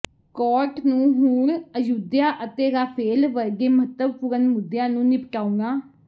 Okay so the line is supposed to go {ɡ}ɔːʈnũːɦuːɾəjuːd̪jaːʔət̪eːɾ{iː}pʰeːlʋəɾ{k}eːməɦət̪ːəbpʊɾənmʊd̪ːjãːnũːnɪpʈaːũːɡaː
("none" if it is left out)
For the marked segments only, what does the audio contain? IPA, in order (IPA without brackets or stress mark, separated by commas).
k, aː, ɡ